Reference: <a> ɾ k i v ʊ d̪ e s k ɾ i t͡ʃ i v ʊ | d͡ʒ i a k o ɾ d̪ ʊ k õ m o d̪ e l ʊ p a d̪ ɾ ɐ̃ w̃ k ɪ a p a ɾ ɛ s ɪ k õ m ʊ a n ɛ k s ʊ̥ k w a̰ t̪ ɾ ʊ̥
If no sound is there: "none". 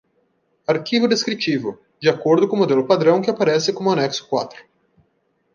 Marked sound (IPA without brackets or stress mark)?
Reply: a